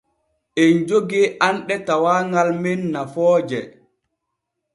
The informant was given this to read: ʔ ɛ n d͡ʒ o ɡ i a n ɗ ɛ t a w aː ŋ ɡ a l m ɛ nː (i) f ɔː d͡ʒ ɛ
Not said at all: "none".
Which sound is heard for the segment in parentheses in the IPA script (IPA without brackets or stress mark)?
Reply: a